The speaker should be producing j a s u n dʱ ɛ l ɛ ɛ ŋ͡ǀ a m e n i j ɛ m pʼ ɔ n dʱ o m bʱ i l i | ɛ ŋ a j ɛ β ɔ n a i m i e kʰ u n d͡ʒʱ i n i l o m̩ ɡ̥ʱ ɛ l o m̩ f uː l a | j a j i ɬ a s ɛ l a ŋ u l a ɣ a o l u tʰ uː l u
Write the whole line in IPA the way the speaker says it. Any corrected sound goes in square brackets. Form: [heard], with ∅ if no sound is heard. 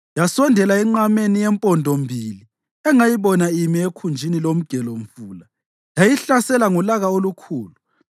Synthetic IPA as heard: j a s [ɔ] n dʱ ɛ l [a] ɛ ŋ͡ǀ a m e n i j ɛ m pʼ ɔ n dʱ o m bʱ i l i | ɛ ŋ a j [i] β ɔ n a i m i e kʰ u n d͡ʒʱ i n i l o m̩ ɡ̥ʱ ɛ l o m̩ f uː l a | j a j i ɬ a s ɛ l a ŋ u l a ɣ a o l u [kʰ] uː l u